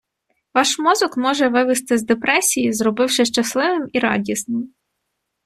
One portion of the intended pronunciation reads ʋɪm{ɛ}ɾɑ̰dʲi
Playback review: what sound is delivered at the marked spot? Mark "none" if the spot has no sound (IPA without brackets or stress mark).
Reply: i